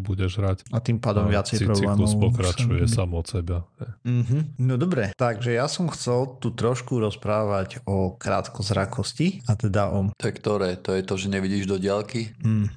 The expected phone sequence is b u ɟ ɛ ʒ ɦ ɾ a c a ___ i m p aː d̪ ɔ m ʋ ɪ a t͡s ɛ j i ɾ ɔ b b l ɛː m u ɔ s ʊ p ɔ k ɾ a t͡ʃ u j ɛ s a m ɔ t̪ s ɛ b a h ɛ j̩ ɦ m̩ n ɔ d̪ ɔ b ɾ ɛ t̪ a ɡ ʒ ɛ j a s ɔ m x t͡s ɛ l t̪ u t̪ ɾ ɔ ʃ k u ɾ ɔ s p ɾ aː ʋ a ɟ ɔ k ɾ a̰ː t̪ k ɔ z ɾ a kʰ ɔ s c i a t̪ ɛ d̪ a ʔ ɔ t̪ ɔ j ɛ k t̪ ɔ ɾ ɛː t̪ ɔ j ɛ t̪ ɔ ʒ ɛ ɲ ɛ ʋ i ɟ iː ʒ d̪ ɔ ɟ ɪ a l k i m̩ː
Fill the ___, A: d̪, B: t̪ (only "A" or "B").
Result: B